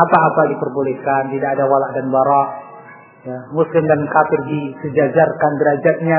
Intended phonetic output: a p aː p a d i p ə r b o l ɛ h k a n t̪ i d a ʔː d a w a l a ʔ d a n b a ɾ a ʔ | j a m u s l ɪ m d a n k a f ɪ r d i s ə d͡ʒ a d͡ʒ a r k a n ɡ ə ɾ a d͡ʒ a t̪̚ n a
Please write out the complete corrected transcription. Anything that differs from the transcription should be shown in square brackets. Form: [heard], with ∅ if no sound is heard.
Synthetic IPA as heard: a p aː p a d i p ə r b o l ɛ h k a n t̪ i d a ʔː d a w a l a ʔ d a n b a ɾ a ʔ | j a m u s l ɪ m d a n k a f ɪ r d i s ə d͡ʒ a d͡ʒ a r k a n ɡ ə ɾ a d͡ʒ a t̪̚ [ɲ] a